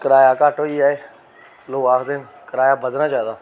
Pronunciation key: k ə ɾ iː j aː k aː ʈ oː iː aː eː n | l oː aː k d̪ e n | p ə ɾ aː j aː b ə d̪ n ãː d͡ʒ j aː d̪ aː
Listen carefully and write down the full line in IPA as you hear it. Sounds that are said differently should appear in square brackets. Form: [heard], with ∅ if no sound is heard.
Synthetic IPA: k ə ɾ [aː] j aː k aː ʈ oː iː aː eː [∅] | l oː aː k d̪ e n | [k] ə ɾ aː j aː b ə d̪ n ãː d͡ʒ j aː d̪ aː